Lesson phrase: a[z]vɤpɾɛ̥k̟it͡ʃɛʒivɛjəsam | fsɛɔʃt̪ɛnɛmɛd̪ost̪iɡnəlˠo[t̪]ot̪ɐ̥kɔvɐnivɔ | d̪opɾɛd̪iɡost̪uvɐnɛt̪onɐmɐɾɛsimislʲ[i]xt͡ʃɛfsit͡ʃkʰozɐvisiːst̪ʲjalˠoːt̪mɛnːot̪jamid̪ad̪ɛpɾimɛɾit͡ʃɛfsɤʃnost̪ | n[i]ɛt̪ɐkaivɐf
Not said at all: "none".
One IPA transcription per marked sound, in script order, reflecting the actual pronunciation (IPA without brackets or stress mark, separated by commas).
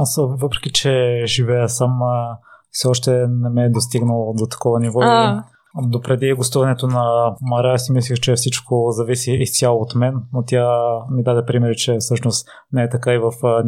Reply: s, d̪, i, ɛ